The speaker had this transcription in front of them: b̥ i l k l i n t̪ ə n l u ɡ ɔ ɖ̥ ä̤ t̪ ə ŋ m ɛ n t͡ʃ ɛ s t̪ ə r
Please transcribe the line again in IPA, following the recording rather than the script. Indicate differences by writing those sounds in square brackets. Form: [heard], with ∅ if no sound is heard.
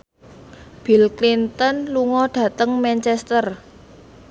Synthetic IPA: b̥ i l k l i n t̪ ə n l u [ŋ] ɔ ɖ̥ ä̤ t̪ ə ŋ m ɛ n t͡ʃ ɛ s t̪ ə r